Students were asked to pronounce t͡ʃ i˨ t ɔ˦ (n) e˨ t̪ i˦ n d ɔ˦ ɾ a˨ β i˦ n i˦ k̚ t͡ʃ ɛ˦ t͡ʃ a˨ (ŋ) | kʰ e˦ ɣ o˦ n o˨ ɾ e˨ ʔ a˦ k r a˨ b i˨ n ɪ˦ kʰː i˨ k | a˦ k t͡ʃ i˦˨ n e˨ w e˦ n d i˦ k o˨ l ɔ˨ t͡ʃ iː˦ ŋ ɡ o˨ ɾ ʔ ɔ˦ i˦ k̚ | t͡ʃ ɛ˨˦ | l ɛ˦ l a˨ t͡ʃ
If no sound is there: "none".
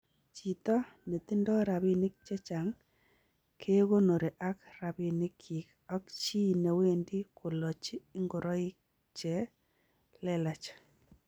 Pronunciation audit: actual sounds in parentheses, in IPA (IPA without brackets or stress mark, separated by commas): n, ŋ